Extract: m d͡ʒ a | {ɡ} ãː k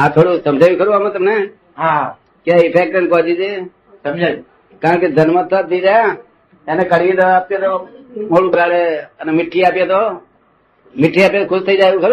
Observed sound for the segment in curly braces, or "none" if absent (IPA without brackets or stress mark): k